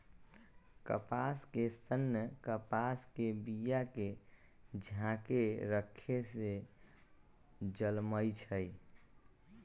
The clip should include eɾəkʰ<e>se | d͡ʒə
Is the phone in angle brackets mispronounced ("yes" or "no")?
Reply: no